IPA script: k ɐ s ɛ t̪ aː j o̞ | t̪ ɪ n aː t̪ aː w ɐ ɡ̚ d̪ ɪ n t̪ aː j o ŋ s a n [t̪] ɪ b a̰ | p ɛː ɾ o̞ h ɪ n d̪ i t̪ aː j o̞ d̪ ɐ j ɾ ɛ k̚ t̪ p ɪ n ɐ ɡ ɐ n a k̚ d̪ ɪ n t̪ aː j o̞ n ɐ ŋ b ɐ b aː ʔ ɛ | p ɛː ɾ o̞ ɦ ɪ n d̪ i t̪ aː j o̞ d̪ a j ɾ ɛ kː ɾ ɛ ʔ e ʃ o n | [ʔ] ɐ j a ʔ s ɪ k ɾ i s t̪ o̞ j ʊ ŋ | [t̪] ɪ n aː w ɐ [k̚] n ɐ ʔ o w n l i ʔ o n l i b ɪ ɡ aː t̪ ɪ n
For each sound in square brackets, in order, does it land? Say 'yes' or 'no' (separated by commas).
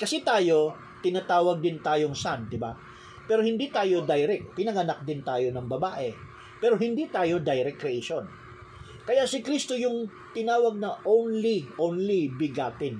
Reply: no, no, yes, no